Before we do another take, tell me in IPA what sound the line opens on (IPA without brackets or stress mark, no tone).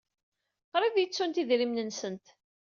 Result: q